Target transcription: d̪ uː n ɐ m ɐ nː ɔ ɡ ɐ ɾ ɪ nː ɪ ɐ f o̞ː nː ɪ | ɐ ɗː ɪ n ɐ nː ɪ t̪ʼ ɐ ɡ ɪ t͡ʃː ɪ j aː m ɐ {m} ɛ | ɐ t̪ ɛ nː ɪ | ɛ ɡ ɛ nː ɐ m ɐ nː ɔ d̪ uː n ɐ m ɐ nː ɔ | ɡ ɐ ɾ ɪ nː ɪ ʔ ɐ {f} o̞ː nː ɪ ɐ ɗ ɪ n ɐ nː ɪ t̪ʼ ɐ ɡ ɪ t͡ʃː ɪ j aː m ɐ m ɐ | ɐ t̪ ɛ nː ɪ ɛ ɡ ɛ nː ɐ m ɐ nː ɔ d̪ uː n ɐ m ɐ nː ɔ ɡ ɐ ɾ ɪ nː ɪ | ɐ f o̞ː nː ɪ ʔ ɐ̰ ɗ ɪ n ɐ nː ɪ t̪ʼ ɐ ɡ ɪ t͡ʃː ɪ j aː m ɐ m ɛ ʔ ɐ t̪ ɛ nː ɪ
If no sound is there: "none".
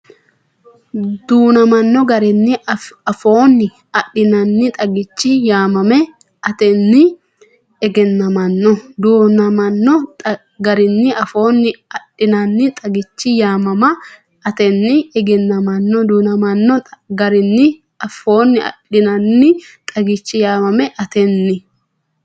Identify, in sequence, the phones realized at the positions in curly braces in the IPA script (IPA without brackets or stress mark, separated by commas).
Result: m, f